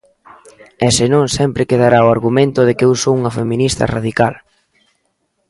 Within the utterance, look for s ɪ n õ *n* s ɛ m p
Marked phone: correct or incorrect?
incorrect